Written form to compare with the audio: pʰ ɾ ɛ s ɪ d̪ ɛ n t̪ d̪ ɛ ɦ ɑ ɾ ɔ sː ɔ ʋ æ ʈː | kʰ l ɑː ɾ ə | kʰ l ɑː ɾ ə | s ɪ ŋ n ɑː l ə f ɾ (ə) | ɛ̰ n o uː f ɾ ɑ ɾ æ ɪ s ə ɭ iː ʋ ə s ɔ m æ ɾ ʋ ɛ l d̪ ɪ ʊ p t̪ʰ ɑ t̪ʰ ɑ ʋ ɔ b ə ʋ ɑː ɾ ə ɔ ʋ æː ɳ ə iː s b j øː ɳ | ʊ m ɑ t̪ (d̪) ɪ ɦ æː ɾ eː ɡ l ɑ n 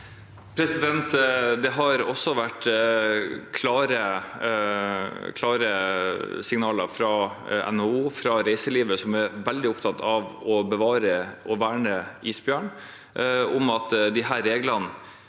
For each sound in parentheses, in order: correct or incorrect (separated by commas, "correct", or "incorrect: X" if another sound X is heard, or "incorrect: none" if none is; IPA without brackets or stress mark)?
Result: incorrect: ɑ, correct